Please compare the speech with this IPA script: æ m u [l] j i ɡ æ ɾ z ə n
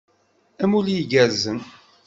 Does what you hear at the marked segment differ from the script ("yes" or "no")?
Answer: no